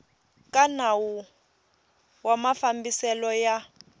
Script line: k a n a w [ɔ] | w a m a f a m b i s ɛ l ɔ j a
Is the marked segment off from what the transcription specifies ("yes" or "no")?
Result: yes